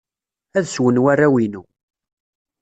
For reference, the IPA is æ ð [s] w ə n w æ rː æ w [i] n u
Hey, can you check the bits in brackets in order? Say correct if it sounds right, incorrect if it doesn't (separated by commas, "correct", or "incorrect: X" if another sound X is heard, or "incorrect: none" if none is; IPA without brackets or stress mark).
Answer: correct, correct